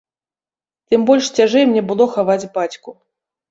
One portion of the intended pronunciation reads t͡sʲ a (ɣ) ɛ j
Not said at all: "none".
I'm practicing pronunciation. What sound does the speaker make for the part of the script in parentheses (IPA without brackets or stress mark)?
ʐ